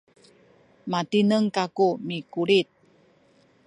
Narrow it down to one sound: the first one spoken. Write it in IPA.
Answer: m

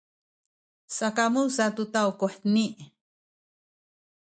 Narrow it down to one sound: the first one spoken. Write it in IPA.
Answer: s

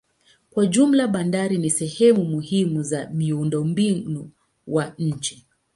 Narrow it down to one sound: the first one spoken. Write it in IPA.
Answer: k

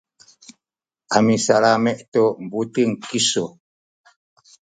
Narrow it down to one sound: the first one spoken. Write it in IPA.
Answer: a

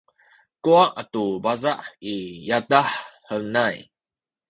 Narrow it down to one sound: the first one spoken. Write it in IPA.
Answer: k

